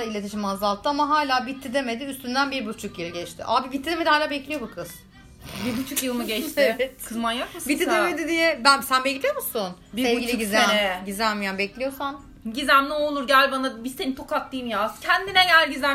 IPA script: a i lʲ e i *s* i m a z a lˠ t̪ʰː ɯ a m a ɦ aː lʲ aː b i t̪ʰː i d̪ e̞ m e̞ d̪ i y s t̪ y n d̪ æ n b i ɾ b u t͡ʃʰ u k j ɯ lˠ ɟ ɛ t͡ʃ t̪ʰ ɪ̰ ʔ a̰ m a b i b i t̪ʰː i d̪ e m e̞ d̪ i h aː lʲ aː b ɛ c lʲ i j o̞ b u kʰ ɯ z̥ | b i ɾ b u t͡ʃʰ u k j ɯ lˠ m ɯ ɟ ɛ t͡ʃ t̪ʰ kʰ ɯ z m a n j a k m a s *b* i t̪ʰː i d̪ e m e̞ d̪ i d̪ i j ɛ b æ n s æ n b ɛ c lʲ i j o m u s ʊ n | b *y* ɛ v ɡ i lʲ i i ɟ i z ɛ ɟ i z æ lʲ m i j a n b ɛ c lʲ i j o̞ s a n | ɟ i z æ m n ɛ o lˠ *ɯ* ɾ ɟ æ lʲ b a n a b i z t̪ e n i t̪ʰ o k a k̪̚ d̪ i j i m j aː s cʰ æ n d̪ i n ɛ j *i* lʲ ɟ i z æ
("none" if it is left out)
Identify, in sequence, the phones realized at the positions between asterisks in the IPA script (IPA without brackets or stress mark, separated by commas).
ʃ, b, i, u, æ